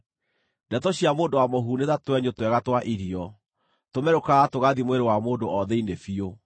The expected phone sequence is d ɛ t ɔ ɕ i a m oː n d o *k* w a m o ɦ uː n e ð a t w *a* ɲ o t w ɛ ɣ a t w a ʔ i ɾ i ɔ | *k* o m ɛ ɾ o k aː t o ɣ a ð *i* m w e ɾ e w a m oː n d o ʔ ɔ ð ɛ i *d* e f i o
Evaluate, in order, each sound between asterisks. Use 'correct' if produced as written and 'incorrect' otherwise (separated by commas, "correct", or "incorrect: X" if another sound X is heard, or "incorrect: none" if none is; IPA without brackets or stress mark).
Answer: incorrect: none, incorrect: ɛ, incorrect: t, correct, incorrect: n